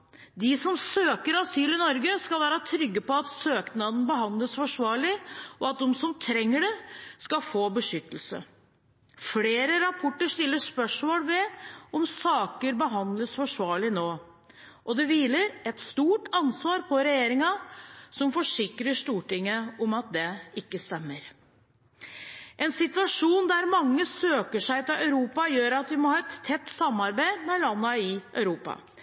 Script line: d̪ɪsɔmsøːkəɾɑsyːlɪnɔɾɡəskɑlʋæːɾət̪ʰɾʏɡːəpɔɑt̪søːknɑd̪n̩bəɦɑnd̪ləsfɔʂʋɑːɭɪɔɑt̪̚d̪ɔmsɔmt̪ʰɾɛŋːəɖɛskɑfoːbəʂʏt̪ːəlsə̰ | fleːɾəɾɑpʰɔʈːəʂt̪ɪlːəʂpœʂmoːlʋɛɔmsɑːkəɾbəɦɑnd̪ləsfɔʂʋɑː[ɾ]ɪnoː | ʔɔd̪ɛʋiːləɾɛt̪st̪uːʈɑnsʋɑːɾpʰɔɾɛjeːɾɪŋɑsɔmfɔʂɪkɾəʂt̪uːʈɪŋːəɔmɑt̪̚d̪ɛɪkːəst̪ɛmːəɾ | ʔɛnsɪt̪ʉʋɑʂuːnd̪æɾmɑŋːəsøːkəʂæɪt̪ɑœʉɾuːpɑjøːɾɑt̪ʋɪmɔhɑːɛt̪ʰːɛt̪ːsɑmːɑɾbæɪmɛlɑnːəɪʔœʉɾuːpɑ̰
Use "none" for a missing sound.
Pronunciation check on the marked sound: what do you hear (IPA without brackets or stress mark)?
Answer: ɭ